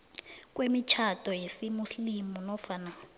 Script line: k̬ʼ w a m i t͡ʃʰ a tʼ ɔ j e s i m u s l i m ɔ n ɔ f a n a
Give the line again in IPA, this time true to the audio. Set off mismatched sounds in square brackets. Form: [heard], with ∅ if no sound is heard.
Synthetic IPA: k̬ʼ w [e] m i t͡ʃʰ a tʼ ɔ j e s i m u s l i m [u] n ɔ f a n a